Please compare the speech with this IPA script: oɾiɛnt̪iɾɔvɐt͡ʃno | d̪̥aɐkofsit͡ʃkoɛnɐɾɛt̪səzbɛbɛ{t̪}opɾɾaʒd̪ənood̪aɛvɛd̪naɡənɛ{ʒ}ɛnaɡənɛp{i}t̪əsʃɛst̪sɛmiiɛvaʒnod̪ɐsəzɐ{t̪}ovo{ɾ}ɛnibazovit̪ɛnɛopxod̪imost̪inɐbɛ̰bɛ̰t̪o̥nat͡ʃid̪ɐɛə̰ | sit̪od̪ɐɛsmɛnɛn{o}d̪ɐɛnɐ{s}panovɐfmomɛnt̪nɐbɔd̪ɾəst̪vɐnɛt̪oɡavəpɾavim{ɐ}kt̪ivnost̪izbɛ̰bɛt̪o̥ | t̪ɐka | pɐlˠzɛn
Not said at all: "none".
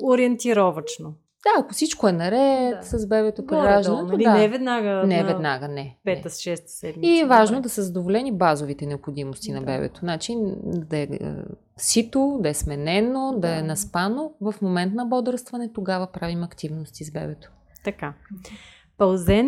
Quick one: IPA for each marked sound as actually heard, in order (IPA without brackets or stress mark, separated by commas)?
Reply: t̪, v, ɛ, d̪, l, o, s, ɐ